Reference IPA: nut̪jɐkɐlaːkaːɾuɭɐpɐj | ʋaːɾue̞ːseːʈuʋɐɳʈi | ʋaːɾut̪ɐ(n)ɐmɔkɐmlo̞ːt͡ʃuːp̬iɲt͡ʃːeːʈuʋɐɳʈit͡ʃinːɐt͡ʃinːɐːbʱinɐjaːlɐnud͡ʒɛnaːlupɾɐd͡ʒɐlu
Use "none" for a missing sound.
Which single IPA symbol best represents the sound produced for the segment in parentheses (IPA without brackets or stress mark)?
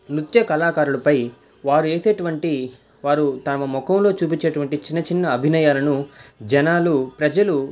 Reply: m